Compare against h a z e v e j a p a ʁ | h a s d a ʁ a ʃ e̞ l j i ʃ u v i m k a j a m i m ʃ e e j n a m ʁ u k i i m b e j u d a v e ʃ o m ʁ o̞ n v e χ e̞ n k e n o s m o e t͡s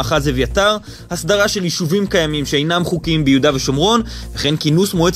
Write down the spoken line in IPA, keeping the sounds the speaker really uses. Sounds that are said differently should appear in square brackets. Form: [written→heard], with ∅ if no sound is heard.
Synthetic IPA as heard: [h→χ] a z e v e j a [p→t] a ʁ | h a s d a ʁ a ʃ e̞ l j i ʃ u v i m k a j a m i m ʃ e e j n a m [ʁ→χ] u k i i m b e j u d a v e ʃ o m ʁ o̞ n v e χ e̞ n k [e→i] n [o→u] s m o e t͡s